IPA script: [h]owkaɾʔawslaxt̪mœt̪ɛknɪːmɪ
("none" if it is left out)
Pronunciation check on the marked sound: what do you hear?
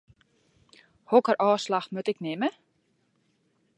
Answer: h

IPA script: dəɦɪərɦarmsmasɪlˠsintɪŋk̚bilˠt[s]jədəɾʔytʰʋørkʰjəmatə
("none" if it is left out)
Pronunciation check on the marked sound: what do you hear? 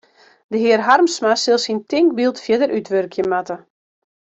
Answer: f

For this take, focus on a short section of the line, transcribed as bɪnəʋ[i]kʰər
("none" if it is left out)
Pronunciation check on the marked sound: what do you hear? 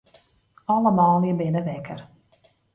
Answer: ɛ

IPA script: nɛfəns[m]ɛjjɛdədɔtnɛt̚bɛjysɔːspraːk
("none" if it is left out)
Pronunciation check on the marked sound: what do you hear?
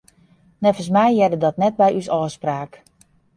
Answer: m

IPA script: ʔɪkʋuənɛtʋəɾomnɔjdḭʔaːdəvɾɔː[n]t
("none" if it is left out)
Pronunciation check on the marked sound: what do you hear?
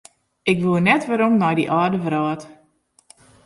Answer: none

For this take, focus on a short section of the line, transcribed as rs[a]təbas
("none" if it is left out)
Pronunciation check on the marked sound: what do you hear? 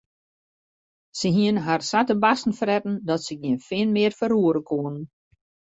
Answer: a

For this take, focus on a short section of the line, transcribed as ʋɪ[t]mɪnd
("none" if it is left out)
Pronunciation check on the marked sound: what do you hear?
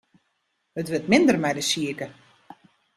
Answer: t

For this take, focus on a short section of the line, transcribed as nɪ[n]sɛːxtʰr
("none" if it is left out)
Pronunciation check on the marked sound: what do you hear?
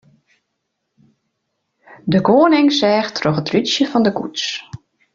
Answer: ŋ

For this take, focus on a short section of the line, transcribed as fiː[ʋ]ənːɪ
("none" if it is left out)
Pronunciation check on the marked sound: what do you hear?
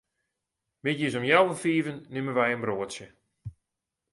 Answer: v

